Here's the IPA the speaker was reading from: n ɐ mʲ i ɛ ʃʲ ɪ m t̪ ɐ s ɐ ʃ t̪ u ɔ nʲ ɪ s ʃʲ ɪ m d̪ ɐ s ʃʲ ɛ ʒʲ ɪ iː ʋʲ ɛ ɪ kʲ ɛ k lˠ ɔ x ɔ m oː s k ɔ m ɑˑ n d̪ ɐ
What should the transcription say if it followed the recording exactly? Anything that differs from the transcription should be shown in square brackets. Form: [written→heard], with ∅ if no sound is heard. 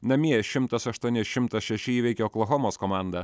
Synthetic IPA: n ɐ mʲ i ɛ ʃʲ ɪ m t̪ ɐ s ɐ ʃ t̪ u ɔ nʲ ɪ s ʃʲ ɪ m [d̪→t̪] ɐ s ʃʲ ɛ [ʒʲ→ʃʲ] ɪ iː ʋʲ ɛ ɪ kʲ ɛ k lˠ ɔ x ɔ m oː s k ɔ m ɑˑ n d̪ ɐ

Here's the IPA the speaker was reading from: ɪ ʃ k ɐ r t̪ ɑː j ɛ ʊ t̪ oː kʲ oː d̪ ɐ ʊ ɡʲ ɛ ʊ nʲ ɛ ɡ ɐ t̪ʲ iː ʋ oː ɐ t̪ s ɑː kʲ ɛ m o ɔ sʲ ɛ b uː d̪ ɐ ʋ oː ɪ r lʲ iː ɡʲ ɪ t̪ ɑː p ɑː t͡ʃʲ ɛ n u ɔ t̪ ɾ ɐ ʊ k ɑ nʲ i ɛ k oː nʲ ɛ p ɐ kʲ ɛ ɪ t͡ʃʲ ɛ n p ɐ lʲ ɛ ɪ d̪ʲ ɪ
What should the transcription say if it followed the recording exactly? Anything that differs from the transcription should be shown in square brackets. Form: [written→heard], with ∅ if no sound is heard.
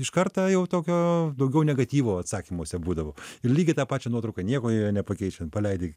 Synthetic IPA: ɪ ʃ k ɐ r t̪ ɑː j ɛ ʊ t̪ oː kʲ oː d̪ ɐ ʊ ɡʲ ɛ ʊ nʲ ɛ ɡ ɐ t̪ʲ iː ʋ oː ɐ t̪ s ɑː kʲ [ɛ→i] m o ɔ sʲ ɛ b uː d̪ ɐ ʋ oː ɪ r lʲ iː ɡʲ ɪ t̪ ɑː p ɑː t͡ʃʲ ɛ n u ɔ t̪ ɾ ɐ ʊ k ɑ nʲ i ɛ k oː nʲ ɛ p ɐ kʲ ɛ ɪ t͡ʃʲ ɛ n p ɐ lʲ ɛ ɪ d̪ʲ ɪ

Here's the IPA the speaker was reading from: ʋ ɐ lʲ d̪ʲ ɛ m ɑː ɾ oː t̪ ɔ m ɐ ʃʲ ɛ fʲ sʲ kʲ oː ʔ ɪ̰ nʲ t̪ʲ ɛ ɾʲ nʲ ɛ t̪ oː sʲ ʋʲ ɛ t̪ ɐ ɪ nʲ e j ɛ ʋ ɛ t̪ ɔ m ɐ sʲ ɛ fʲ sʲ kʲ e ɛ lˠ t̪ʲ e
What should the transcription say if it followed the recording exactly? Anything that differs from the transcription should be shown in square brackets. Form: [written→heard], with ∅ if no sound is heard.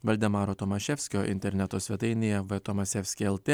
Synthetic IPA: ʋ ɐ lʲ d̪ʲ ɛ m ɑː ɾ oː t̪ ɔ m ɐ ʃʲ ɛ fʲ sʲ kʲ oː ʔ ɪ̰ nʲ t̪ʲ ɛ ɾʲ nʲ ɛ t̪ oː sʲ ʋʲ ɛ t̪ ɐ ɪ nʲ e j ɛ ʋ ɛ t̪ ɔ m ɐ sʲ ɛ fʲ sʲ kʲ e ɛ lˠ t̪ʲ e

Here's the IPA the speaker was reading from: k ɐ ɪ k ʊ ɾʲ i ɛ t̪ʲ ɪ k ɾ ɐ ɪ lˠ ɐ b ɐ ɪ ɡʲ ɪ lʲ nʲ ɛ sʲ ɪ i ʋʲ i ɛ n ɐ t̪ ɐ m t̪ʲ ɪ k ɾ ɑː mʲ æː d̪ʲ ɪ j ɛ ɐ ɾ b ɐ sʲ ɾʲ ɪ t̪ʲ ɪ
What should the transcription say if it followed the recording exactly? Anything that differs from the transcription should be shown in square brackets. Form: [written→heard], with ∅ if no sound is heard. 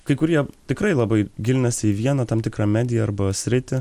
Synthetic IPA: k ɐ ɪ k ʊ ɾʲ i ɛ t̪ʲ ɪ k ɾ ɐ ɪ lˠ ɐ b ɐ ɪ ɡʲ ɪ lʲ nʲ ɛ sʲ ɪ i ʋʲ i ɛ n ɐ t̪ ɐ m t̪ʲ ɪ k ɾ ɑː mʲ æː d̪ʲ ɪ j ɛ ɐ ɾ b ɐ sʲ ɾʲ ɪ t̪ʲ ɪ

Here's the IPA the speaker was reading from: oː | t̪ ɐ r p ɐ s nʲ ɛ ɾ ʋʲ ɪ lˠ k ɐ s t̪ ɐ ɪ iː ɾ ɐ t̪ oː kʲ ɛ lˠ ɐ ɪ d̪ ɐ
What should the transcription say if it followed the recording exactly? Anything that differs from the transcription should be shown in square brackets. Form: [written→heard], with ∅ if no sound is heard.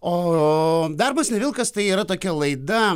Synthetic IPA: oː | [t̪→d̪] ɐ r [p→b] ɐ s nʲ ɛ [ɾ→∅] ʋʲ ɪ lˠ k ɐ s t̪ ɐ ɪ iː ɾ ɐ t̪ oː kʲ ɛ lˠ ɐ ɪ d̪ ɐ

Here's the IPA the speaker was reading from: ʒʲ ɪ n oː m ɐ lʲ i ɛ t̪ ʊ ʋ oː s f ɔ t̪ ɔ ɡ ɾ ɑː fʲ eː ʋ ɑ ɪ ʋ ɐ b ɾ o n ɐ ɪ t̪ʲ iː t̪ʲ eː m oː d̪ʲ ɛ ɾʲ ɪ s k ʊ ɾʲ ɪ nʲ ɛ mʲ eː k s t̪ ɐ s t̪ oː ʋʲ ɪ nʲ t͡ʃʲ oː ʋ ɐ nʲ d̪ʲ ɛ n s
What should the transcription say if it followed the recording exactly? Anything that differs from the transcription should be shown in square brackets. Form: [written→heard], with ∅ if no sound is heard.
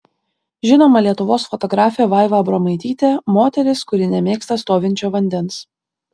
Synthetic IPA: ʒʲ ɪ n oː m ɐ lʲ i ɛ t̪ ʊ ʋ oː s f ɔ t̪ ɔ ɡ ɾ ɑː fʲ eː ʋ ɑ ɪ ʋ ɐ b ɾ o [n→m] ɐ ɪ t̪ʲ iː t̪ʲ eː m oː [d̪ʲ→t̪ʲ] ɛ ɾʲ ɪ s k ʊ ɾʲ ɪ nʲ ɛ mʲ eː k s t̪ ɐ s t̪ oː ʋʲ ɪ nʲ t͡ʃʲ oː ʋ ɐ nʲ d̪ʲ ɛ n s

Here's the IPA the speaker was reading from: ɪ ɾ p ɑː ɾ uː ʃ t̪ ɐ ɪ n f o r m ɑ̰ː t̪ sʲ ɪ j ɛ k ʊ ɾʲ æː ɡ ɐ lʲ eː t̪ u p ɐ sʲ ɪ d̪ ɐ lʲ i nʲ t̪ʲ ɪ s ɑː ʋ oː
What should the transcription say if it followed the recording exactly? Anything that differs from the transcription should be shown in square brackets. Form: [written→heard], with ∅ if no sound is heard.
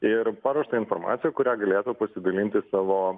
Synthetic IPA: ɪ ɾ p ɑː ɾ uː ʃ t̪ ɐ ɪ n f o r m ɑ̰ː t̪ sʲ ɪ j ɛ k ʊ ɾʲ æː ɡ ɐ lʲ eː t̪ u p ɐ sʲ ɪ d̪ ɐ lʲ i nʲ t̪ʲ ɪ s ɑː ʋ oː

